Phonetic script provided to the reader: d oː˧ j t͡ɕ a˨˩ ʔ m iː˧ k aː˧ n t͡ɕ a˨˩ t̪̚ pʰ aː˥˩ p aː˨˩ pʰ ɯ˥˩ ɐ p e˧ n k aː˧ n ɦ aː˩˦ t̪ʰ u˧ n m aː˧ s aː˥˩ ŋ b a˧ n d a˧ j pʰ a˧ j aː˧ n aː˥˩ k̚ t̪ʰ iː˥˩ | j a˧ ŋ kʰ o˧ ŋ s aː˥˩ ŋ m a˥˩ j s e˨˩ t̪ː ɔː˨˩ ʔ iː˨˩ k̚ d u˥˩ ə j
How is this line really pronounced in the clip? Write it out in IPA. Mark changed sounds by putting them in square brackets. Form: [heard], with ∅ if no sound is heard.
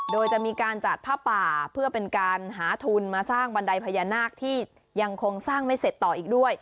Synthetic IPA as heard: d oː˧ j t͡ɕ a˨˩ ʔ m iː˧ k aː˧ n t͡ɕ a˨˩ t̪̚ pʰ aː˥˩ p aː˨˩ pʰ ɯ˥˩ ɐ p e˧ n k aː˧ n ɦ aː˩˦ t̪ʰ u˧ n m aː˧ s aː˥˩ ŋ b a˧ n d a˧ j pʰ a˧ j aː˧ n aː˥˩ k̚ t̪ʰ iː˥˩ | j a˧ ŋ kʰ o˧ ŋ s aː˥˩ ŋ m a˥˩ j s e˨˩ t̪ː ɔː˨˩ ʔ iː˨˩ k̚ d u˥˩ ə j